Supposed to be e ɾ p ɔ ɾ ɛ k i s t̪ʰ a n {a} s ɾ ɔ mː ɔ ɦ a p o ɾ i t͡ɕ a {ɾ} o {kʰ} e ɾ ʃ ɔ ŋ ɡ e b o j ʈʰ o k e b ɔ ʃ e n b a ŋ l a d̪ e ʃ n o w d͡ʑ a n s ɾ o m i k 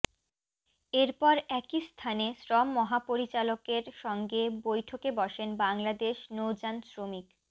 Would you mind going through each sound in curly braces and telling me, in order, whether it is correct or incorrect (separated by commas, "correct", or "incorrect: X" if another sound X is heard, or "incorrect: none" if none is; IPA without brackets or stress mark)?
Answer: incorrect: e, incorrect: l, incorrect: k